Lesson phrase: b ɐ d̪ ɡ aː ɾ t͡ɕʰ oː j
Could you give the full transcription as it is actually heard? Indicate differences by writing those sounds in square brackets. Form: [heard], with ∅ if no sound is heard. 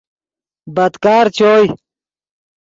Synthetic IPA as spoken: b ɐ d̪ [k] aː ɾ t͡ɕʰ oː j